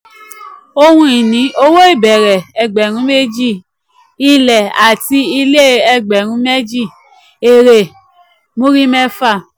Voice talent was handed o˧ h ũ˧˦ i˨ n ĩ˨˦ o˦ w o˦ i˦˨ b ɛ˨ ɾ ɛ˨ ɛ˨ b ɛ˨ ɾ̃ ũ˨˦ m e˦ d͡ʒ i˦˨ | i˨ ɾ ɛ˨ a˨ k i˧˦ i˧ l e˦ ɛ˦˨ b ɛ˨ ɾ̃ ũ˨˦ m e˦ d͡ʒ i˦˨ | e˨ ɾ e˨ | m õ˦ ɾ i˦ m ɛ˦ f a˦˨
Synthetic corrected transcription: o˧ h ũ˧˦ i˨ n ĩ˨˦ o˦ w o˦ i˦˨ b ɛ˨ ɾ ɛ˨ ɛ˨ ɡ͡b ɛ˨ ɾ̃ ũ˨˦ m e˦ d͡ʒ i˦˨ | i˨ l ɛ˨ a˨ t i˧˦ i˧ l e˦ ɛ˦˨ ɡ͡b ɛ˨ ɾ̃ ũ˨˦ m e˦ d͡ʒ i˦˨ | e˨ ɾ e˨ | m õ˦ ɾ i˦ m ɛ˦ f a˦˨